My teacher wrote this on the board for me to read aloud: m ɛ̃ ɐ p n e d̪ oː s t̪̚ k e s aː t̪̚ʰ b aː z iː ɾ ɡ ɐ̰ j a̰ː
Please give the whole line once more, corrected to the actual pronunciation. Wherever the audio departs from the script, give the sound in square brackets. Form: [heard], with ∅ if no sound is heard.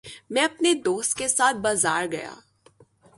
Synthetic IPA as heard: m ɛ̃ ɐ p n e d̪ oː s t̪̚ k e s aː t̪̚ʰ b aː z [aː] ɾ ɡ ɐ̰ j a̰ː